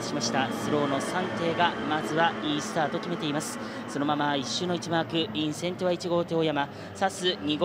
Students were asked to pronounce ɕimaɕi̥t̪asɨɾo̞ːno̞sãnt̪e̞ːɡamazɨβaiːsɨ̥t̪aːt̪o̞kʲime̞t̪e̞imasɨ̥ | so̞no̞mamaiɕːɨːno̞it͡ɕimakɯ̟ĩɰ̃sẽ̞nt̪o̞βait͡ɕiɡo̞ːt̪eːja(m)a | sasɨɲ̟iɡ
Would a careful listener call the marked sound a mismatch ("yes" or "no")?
no